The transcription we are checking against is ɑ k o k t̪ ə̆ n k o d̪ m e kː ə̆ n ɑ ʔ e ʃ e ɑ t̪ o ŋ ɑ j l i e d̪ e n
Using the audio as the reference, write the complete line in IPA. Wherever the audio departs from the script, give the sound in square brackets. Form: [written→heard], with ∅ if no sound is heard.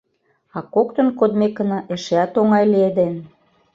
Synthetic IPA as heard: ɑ k o k t̪ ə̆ n k o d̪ m e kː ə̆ n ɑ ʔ e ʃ e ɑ t̪ o ŋ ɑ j l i e d̪ e n

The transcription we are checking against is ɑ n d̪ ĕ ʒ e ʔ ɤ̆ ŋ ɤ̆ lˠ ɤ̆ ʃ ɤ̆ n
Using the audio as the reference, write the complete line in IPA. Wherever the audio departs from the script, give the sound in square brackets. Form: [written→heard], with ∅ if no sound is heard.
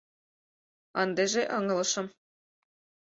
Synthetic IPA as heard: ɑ n d̪ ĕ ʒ e ʔ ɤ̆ ŋ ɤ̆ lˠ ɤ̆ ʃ ɤ̆ [n→m]

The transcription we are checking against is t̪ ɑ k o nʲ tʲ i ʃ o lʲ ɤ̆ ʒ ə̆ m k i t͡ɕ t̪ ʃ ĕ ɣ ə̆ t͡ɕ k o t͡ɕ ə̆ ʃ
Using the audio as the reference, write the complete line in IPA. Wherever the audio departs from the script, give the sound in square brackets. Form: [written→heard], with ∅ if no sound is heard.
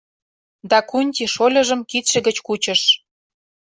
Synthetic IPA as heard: [t̪→d̪] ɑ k [o→u] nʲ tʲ i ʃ o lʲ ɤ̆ ʒ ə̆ m k i [t͡ɕ→∅] t̪ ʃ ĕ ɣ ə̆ t͡ɕ k [o→u] t͡ɕ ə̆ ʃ

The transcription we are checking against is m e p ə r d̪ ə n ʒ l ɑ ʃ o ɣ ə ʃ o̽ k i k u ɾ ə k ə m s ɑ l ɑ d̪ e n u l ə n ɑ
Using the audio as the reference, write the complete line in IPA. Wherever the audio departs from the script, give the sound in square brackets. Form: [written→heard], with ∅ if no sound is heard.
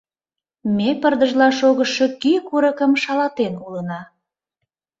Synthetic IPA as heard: m e p ə r d̪ ə [n→∅] ʒ l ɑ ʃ o ɣ ə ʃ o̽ k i k u ɾ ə k ə m [s→ʃ] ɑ l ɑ [d̪→t̪] e n u l ə n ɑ

